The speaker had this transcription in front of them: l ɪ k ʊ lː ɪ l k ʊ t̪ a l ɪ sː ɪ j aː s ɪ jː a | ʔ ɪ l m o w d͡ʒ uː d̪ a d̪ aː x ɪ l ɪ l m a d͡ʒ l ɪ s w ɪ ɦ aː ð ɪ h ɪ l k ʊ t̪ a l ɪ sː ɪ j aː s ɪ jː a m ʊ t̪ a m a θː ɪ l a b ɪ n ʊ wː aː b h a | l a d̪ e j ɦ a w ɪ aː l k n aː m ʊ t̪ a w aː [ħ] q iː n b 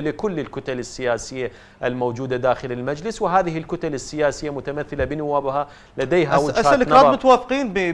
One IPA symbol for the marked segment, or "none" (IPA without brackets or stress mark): f